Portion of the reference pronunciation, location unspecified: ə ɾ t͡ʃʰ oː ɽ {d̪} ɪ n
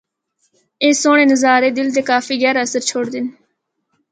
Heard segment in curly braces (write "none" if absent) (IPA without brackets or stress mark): d̪